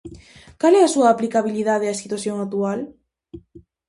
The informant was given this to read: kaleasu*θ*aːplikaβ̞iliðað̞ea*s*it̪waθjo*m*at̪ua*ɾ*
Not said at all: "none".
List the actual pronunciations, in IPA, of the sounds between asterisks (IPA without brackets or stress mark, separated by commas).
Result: none, s, ŋ, l